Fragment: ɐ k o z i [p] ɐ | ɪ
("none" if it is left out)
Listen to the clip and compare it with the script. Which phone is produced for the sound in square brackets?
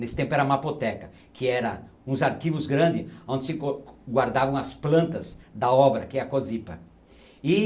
p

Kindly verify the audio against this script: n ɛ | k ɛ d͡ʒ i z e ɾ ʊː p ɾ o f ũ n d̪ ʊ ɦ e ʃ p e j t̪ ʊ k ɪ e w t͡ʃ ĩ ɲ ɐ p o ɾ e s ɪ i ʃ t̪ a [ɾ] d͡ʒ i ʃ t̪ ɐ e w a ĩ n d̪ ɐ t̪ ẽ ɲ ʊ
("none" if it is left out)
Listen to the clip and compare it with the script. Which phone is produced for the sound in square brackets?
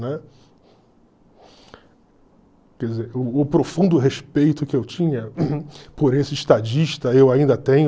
none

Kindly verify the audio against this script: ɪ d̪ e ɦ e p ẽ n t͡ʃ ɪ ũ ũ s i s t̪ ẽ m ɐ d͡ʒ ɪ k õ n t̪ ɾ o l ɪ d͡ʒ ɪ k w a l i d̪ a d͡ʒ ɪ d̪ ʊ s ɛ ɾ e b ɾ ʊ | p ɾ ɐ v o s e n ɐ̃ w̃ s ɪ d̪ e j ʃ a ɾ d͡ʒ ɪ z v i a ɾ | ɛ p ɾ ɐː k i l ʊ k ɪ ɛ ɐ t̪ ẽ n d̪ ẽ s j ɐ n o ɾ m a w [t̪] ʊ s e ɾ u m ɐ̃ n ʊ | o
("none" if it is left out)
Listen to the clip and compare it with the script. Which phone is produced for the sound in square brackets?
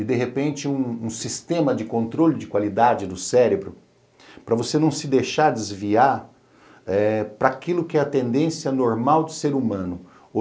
d̪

